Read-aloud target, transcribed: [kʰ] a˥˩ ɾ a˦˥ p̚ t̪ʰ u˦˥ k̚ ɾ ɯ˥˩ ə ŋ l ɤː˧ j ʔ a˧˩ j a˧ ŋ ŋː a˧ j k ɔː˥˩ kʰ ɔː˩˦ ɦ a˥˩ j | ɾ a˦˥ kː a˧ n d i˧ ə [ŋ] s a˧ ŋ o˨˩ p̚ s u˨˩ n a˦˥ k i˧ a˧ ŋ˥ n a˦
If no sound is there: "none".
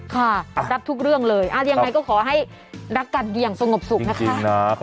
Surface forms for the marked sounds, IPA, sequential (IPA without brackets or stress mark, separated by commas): kʰ, ŋ